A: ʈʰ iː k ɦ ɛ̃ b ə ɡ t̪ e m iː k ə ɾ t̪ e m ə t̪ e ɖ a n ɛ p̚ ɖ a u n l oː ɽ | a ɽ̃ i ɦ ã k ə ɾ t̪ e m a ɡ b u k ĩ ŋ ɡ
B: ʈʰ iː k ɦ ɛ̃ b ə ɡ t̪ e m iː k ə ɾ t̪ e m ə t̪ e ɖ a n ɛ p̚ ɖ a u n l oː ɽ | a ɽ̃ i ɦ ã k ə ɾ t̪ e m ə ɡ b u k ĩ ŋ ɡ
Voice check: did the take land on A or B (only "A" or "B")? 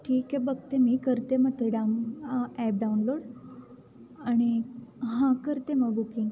B